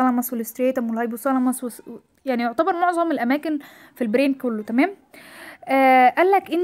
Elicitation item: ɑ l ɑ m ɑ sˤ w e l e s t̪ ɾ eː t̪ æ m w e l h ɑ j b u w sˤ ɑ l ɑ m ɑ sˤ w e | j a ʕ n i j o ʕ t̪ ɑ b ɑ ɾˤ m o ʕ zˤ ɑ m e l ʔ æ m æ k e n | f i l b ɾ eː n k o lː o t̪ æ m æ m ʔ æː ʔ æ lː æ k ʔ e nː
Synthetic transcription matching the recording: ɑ l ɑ m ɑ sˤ w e l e s t̪ ɾ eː t̪ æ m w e l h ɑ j b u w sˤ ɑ l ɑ m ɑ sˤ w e | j a ʕ n i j o ʕ t̪ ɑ b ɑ ɾˤ m o ʕ zˤ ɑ m e l ʔ æ m æː k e n | f i l b ɾ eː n k o lː o t̪ æ m æː m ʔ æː ʔ æ lː æ k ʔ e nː